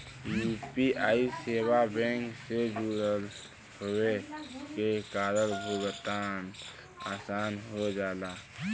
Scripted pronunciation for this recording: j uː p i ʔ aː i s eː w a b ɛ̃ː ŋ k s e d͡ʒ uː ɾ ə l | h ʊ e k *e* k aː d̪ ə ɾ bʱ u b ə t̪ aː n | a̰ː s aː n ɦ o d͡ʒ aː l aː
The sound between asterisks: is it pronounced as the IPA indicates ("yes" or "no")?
yes